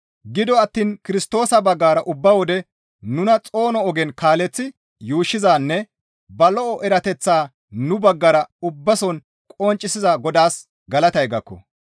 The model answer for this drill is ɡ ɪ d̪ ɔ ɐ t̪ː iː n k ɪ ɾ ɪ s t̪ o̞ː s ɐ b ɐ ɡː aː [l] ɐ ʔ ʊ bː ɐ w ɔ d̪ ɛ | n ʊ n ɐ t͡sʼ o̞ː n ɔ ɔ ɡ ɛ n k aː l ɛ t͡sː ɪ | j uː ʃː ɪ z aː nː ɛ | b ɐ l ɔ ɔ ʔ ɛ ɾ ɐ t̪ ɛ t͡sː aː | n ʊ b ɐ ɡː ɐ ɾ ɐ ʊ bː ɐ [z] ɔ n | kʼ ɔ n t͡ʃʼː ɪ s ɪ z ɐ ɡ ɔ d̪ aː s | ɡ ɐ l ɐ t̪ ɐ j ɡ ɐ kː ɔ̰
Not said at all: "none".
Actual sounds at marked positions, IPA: ɾ, s

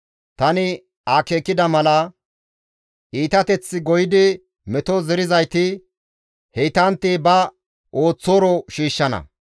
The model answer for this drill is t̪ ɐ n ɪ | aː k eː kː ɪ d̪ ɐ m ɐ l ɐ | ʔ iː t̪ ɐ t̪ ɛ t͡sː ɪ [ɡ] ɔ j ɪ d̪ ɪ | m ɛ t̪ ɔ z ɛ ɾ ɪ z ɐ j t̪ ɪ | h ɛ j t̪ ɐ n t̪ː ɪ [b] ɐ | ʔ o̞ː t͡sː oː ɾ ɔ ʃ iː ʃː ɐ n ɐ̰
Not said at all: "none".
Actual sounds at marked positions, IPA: ɡ, b

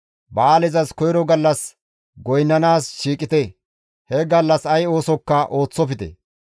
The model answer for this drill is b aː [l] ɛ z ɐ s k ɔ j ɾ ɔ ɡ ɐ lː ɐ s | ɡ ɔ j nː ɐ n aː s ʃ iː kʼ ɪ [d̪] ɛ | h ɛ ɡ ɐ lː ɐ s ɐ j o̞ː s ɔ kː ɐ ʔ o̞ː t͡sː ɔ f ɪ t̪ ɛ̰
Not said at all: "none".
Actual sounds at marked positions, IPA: l, t̪

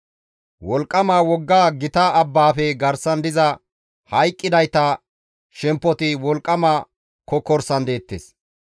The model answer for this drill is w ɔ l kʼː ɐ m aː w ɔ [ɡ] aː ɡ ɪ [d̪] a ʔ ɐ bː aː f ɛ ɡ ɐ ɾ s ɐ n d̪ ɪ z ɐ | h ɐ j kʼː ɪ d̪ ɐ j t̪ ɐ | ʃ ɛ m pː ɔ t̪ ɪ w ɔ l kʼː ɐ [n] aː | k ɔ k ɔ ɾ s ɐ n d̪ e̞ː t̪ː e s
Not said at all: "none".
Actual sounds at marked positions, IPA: ɡː, t̪, m

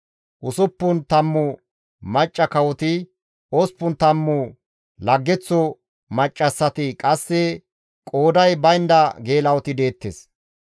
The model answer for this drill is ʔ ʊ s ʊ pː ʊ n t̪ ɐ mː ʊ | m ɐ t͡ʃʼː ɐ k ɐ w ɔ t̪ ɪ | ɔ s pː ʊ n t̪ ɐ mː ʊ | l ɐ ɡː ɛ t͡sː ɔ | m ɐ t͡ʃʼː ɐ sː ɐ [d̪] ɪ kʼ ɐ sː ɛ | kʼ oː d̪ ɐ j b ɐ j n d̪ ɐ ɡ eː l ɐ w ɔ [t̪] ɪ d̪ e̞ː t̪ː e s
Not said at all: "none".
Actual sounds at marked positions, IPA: t̪, t̪

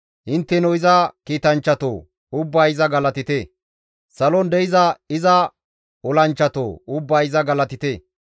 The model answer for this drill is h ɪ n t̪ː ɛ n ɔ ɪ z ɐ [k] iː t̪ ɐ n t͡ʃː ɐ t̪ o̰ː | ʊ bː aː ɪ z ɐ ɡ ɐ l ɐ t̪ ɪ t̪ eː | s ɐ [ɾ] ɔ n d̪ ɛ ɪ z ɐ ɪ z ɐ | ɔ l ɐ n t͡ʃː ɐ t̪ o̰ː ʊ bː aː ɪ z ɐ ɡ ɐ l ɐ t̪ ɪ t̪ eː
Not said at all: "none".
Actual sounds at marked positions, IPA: k, l

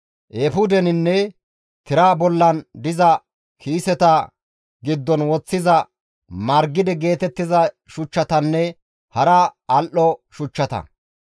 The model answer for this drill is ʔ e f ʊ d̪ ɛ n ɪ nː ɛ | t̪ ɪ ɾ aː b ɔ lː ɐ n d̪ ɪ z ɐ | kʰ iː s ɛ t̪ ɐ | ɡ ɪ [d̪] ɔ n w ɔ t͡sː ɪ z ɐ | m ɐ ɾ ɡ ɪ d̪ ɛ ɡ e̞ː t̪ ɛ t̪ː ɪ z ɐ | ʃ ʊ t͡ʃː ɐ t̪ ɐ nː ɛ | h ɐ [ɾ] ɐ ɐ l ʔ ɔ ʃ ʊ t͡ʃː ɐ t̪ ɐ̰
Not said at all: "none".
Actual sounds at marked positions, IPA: d̪ː, ɾ

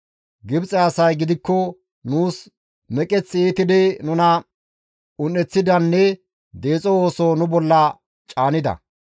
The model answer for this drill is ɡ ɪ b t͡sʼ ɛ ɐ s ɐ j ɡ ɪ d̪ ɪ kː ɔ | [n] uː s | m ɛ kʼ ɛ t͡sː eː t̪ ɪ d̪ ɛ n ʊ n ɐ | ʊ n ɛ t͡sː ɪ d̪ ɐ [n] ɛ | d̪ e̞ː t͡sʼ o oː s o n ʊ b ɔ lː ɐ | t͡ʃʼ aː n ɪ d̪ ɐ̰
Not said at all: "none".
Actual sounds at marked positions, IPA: n, nː

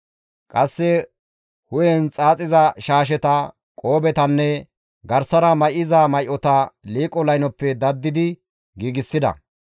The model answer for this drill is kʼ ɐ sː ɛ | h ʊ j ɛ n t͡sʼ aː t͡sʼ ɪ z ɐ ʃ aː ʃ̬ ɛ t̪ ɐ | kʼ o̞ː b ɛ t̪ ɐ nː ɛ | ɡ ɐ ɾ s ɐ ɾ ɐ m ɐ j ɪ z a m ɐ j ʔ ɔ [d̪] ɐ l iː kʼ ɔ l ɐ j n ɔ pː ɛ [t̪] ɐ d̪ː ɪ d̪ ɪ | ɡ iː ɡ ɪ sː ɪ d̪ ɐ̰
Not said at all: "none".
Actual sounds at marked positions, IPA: t̪, d̪

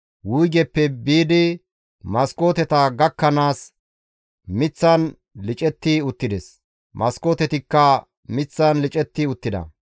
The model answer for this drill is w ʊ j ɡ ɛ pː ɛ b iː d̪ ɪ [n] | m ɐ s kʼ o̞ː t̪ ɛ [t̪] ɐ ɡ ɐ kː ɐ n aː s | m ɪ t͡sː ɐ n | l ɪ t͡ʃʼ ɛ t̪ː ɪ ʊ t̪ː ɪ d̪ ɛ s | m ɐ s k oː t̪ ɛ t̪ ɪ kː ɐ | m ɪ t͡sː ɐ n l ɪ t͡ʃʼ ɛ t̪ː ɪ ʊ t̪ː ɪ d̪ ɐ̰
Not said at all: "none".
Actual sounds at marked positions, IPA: none, t̪

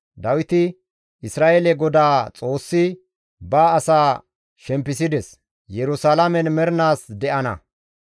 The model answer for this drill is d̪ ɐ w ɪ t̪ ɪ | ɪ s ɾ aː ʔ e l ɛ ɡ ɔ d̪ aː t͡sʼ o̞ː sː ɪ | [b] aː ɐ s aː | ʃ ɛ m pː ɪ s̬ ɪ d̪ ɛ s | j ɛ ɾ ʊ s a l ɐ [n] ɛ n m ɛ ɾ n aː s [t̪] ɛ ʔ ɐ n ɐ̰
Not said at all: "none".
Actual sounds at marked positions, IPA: b, m, d̪

